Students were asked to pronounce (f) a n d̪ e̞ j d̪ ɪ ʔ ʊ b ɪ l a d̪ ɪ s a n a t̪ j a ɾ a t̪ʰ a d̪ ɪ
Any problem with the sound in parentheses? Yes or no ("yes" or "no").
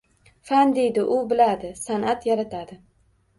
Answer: no